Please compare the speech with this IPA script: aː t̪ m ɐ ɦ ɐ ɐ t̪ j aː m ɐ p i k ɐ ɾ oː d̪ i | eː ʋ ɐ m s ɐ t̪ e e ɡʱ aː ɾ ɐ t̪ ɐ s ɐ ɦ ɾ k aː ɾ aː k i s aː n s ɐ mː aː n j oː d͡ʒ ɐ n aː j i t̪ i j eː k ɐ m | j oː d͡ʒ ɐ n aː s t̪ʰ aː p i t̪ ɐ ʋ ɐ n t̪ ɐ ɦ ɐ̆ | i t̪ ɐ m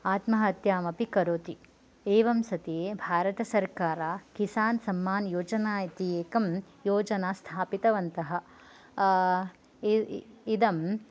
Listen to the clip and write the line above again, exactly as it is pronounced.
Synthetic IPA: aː t̪ m ɐ ɦ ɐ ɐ t̪ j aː m ɐ p i k ɐ ɾ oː t̪ i | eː ʋ ɐ m s ɐ t̪ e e bʱ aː ɾ ɐ t̪ ɐ s ɐ ɾ k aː ɾ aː k i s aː n s ɐ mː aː n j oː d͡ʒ ɐ n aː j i t̪ i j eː k ɐ m | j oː d͡ʒ ɐ n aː s t̪ʰ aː p i t̪ ɐ ʋ ɐ n t̪ ɐ ɦ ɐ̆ | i d̪ ɐ m

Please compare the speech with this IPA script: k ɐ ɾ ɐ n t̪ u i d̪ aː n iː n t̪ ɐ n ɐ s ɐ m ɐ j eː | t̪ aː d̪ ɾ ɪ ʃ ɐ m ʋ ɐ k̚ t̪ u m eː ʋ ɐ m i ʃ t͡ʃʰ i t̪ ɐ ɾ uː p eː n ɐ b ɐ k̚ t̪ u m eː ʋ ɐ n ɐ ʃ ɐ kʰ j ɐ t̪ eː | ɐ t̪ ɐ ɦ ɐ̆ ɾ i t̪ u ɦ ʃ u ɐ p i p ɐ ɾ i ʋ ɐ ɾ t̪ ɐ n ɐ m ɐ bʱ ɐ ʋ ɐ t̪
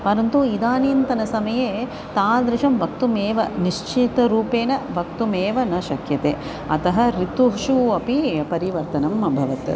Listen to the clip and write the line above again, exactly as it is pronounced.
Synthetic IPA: p ɐ ɾ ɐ n t̪ u i d̪ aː n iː n t̪ ɐ n ɐ s ɐ m ɐ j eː | t̪ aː d̪ ɾ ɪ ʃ ɐ m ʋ ɐ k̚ t̪ u m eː ʋ ɐ n i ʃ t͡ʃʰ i t̪ ɐ ɾ uː p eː n ɐ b ɐ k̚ t̪ u m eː ʋ ɐ n ɐ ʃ ɐ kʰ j ɐ t̪ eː | ɐ t̪ ɐ ɦ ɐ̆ ɾ i t̪ u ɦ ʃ u ɐ p i p ɐ ɾ i ʋ ɐ ɾ t̪ ɐ n ɐ m ɐ bʱ ɐ ʋ ɐ t̪

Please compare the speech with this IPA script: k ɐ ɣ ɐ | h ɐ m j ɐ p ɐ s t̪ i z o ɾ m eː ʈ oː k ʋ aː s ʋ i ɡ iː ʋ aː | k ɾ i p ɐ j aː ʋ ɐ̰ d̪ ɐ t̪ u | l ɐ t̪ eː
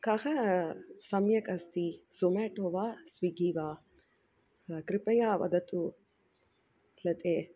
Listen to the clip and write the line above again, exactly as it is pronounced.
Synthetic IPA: k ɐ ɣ ɐ | s ɐ m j ɐ k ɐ s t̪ i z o m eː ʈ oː ʋ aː s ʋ i ɡ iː ʋ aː | k ɾ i p ɐ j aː ʋ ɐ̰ d̪ ɐ t̪ u | l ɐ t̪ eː

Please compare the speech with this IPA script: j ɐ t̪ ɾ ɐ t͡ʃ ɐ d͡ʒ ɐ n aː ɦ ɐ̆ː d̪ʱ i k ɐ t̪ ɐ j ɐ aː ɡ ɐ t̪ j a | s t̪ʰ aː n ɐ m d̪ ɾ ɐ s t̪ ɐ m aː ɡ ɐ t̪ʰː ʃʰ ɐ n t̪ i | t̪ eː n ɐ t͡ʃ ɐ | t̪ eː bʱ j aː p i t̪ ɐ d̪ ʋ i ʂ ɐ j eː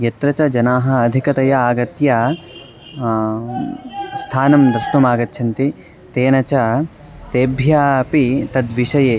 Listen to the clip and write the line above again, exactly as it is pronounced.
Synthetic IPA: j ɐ t̪ ɾ ɐ t͡ʃ ɐ d͡ʒ ɐ n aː ɦ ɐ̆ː d̪ʱ i k ɐ t̪ ɐ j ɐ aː ɡ ɐ t̪ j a | s t̪ʰ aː n ɐ m d̪ ɾ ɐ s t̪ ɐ m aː ɡ ɐ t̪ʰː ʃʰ ɐ n t̪ i | t̪ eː n ɐ t͡ʃ ɐ | t̪ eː bʱ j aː p i t̪ ɐ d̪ ʋ i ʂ ɐ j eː

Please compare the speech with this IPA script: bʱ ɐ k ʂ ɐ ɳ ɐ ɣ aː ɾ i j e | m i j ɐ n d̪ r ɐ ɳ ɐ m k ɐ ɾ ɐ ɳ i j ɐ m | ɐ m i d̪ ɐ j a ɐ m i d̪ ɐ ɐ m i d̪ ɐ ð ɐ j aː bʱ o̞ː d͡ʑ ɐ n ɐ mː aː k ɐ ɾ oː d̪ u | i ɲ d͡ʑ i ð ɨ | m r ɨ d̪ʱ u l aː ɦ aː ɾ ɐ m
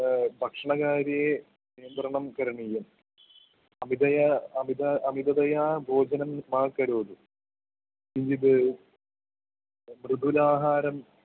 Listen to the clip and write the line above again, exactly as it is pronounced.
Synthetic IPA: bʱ ɐ k ʂ ɐ ɳ ɐ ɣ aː ɾ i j e | n i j ɐ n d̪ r ɐ ɳ ɐ m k ɐ ɾ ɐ ɳ i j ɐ m | ɐ m i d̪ ɐ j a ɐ m i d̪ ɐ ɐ m i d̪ ɐ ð ɐ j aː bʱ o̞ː d͡ʑ ɐ n ɐ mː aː k ɐ ɾ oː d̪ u | i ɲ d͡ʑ i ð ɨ | m r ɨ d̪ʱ u l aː ɦ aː ɾ ɐ m

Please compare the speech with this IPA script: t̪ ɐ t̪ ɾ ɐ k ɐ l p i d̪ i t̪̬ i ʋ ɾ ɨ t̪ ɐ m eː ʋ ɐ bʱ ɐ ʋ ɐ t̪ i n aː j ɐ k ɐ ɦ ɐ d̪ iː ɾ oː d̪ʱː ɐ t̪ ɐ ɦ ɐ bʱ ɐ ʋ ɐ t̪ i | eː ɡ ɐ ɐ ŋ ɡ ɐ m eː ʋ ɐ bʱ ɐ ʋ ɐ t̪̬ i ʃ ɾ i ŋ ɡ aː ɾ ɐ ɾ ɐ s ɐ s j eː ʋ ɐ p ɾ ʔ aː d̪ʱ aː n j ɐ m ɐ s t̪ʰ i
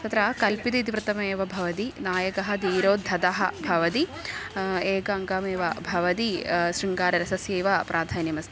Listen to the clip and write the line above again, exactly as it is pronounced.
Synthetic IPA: t̪ ɐ t̪ ɾ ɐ k ɐ l p i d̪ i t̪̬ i ʋ ɾ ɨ t̪ ɐ m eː ʋ ɐ bʱ ɐ ʋ ɐ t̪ i n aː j ɐ k ɐ ɦ ɐ d̪ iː ɾ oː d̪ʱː ɐ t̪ ɐ ɦ ɐ bʱ ɐ ʋ ɐ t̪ i | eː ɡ ɐ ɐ ŋ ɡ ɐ m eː ʋ ɐ bʱ ɐ ʋ ɐ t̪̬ i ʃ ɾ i ŋ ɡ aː ɾ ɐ ɾ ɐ s ɐ s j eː ʋ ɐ p ɾ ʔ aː d̪ʱ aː n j ɐ m ɐ s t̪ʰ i

